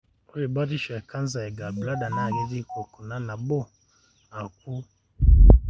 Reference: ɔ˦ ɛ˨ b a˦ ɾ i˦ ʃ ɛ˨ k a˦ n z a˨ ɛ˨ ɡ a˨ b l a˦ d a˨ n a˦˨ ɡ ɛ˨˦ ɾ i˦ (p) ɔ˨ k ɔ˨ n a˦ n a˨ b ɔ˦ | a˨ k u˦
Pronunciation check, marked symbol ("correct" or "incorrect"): incorrect